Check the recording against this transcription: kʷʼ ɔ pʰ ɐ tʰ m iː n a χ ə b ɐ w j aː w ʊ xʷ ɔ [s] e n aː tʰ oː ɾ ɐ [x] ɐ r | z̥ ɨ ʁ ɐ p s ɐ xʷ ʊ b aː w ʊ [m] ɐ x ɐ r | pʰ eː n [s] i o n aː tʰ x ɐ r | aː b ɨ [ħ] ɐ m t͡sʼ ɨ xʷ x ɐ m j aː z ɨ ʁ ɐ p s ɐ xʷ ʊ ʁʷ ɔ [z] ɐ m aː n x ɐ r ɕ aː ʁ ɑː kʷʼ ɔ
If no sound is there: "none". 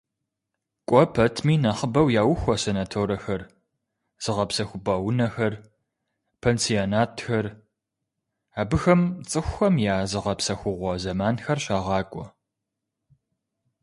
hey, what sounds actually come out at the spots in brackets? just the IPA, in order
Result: s, x, n, s, x, z

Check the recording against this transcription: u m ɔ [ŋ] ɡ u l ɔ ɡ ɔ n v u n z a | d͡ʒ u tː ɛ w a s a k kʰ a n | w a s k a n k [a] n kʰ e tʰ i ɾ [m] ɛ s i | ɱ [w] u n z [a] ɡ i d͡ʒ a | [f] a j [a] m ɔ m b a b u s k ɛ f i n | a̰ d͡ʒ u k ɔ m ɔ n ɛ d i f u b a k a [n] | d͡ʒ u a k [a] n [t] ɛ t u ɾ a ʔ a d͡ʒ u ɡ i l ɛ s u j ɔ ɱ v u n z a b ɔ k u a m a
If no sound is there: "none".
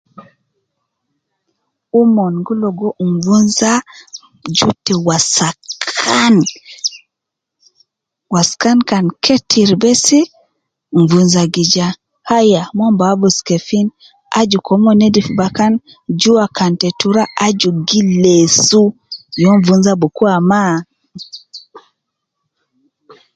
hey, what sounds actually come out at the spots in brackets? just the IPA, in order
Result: n, a, b, v, a, h, a, n, a, t

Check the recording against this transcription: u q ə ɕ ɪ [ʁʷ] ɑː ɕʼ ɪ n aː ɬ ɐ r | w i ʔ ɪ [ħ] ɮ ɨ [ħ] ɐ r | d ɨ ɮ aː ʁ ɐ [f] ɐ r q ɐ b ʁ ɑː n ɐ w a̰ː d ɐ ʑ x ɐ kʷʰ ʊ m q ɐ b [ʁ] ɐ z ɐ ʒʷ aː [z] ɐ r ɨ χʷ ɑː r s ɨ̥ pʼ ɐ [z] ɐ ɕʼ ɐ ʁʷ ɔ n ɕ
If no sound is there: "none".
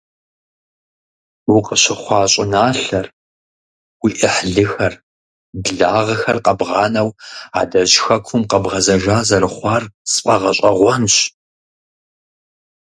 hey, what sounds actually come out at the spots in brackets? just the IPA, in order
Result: χʷ, ħ, x, x, ʁ, z, ʁ

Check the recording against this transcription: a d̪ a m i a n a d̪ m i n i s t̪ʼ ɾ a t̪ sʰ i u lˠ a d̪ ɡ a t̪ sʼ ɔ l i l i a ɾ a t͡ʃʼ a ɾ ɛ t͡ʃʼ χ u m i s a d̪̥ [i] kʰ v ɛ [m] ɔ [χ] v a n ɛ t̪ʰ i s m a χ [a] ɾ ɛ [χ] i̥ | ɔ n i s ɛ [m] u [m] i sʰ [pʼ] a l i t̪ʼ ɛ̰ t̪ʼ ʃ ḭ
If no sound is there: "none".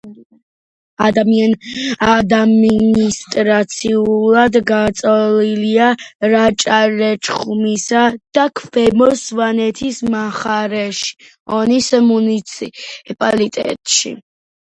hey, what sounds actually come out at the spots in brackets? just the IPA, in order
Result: a, m, s, a, ʃ, m, n, pʼ

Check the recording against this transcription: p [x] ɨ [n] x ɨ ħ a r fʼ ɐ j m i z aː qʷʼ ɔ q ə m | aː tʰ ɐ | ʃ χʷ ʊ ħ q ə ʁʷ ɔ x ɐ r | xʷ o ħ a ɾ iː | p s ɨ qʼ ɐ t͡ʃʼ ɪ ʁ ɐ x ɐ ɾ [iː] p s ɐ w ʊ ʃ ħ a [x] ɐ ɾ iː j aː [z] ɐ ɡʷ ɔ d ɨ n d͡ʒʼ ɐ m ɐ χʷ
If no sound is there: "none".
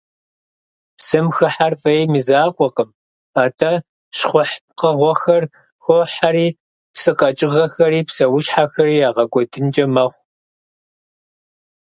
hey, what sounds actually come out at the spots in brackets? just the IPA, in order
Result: s, m, iː, x, ʁ

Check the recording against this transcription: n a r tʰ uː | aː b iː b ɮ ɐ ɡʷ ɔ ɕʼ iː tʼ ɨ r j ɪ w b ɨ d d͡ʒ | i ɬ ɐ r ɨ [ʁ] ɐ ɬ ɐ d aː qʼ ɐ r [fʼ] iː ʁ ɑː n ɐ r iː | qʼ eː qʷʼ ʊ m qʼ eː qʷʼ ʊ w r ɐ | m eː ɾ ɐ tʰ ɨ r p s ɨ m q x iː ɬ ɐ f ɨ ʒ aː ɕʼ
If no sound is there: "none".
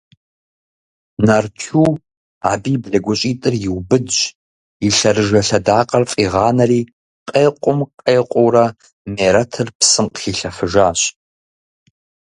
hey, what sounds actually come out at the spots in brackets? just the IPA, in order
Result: ʒ, fʼ

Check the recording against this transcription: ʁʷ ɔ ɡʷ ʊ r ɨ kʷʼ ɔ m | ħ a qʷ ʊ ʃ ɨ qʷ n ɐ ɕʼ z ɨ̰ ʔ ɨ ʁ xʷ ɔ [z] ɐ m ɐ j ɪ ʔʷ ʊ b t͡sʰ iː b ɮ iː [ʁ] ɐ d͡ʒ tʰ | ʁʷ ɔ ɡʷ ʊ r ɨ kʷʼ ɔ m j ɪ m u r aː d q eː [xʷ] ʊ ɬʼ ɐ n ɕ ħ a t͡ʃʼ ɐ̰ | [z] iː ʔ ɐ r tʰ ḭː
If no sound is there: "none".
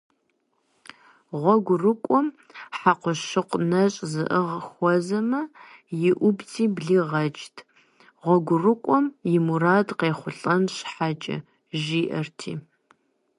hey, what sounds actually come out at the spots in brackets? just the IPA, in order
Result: z, ʁ, χʷ, ʒ

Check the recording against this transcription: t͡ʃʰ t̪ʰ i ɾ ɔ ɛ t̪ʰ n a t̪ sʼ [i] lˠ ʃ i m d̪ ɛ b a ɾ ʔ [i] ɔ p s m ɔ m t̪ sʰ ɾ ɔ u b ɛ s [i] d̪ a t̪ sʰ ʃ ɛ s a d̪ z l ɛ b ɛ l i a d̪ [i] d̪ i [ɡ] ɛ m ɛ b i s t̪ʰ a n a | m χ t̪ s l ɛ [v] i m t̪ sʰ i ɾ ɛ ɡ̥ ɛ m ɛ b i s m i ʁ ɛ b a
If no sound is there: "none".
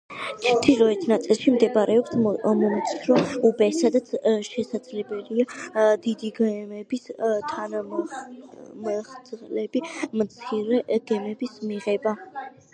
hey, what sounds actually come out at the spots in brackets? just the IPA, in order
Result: i, ɛ, a, i, ɡ, b

